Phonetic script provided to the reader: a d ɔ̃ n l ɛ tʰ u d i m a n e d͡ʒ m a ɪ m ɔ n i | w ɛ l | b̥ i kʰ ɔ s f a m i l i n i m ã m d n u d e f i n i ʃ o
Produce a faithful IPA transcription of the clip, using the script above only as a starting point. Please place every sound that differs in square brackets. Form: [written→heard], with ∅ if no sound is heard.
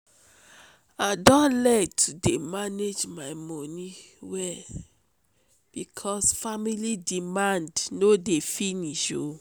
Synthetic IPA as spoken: a d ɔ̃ n l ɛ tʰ u d [i→e] m a n e d͡ʒ m a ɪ m ɔ n i | w ɛ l | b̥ i kʰ ɔ s f a m i l i [n→d] i m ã [m→n] d n [u→o] d e f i n i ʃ o